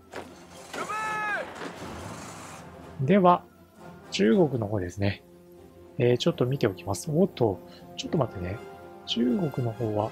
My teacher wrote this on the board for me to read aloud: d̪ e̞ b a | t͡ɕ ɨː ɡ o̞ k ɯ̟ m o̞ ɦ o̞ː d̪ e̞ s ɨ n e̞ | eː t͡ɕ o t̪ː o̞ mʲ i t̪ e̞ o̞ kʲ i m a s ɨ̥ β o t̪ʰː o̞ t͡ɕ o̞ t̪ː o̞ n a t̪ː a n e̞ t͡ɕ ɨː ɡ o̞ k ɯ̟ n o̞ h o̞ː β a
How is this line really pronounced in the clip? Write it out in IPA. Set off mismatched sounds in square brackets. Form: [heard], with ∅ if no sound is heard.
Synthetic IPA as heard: d̪ e̞ [β] a | t͡ɕ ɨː ɡ o̞ k ɯ̟ [n] o̞ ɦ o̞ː d̪ e̞ s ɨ n e̞ | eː t͡ɕ o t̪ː o̞ mʲ i t̪ e̞ o̞ kʲ i m a s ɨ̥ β o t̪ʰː o̞ t͡ɕ o̞ t̪ː o̞ [m] a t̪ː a n e̞ t͡ɕ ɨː ɡ o̞ k ɯ̟ n o̞ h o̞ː β a

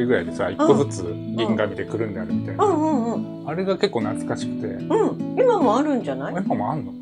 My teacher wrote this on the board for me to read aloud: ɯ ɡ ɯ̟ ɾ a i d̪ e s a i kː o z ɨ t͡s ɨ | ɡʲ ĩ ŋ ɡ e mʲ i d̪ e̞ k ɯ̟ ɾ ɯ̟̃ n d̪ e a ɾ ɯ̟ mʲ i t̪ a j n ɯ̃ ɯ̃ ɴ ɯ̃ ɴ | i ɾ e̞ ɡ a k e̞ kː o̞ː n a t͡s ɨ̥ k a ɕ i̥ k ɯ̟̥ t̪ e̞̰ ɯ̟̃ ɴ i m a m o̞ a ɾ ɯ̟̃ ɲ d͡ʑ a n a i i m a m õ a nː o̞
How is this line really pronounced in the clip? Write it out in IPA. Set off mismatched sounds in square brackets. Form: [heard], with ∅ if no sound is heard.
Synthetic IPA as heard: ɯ ɡ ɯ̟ ɾ a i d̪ e s a i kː o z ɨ t͡s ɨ | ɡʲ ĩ ŋ ɡ [a] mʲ i d̪ e̞ k ɯ̟ ɾ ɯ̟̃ n d̪ e a ɾ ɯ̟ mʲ i t̪ a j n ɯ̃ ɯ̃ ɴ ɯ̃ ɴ | [a] ɾ e̞ ɡ a k e̞ kː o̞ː n a t͡s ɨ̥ k a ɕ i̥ k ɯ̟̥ t̪ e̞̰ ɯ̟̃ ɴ i m a m o̞ a ɾ ɯ̟̃ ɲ d͡ʑ a n a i i m a m [o] a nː o̞

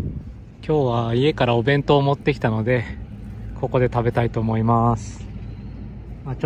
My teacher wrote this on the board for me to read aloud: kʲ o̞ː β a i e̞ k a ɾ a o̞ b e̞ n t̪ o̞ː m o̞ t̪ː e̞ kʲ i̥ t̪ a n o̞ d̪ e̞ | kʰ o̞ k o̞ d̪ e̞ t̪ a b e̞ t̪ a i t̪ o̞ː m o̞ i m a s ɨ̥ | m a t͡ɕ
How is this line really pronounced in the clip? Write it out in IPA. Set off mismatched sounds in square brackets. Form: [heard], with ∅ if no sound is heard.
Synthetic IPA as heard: kʲ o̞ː β a i e̞ k a ɾ a o̞ b [ẽ̞] n t̪ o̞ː m o̞ t̪ː e̞ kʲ i̥ t̪ a n o̞ d̪ e̞ | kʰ o̞ k o̞ d̪ e̞ t̪ a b e̞ t̪ a i t̪ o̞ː m o̞ i m a s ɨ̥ | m a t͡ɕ

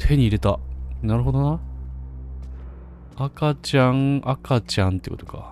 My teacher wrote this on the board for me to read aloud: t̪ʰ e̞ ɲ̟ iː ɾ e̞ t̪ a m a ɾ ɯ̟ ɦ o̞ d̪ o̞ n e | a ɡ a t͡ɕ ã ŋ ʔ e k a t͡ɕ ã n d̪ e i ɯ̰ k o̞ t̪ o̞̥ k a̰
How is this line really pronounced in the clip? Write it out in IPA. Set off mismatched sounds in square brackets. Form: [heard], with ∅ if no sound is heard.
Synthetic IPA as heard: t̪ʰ e̞ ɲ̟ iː ɾ e̞ t̪ a [n] a ɾ ɯ̟ ɦ o̞ d̪ o̞ n [a] | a [k] a t͡ɕ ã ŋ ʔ [a] k a t͡ɕ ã n [t̪] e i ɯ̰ k o̞ t̪ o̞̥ k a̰

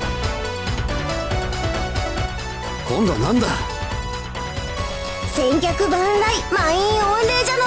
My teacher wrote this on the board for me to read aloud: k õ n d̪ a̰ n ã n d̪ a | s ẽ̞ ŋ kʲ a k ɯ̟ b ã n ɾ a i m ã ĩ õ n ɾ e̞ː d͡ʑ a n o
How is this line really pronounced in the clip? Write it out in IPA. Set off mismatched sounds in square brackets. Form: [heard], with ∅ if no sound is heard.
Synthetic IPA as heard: k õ n d̪ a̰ n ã n d̪ a | s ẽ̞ ŋ kʲ a k ɯ̟ b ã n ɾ a i m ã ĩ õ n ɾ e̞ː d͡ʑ a n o

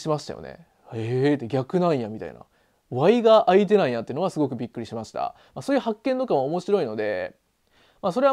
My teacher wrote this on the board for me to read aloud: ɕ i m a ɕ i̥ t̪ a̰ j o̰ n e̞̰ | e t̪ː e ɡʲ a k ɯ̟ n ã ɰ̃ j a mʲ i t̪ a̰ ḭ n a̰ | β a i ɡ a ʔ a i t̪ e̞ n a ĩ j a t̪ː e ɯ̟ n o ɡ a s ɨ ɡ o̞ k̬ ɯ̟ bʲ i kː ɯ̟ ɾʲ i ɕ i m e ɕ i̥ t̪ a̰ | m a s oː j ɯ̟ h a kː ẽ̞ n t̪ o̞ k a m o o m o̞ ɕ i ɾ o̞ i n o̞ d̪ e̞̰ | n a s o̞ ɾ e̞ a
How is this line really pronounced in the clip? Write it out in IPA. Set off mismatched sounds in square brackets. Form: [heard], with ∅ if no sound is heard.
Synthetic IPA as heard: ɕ i m a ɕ i̥ t̪ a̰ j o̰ n e̞̰ | e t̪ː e ɡʲ a k ɯ̟ n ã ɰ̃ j a mʲ i t̪ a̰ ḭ n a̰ | β a i ɡ a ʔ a i t̪ e̞ n a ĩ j a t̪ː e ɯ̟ n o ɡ a s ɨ ɡ o̞ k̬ ɯ̟ bʲ i kː ɯ̟ ɾʲ i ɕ i m [a] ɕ i̥ t̪ a̰ | m a s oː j ɯ̟ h a kː ẽ̞ n t̪ o̞ k a m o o m o̞ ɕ i ɾ o̞ i n o̞ d̪ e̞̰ | [m] a s o̞ ɾ e̞ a

